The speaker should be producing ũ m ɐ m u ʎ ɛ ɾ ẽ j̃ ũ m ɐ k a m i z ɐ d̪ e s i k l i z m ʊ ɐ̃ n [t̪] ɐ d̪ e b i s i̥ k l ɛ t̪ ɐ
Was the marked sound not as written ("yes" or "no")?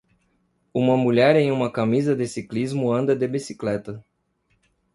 yes